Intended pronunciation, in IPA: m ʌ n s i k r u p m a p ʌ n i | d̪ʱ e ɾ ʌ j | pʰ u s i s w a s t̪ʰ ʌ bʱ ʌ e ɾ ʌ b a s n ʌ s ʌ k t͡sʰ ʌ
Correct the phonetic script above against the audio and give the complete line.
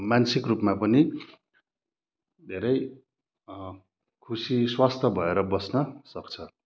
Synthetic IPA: m a n s i k r u p m a p ʌ n i | d̪ʱ e ɾ ʌ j | kʰ u s i s w a s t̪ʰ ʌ bʱ ʌ e ɾ ʌ b ʌ s n ʌ s ʌ k t͡sʰ ʌ